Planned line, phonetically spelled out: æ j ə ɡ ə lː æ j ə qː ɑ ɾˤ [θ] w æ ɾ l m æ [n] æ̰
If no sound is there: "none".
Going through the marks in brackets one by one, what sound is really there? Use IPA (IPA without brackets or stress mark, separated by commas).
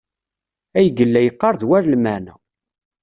ð, n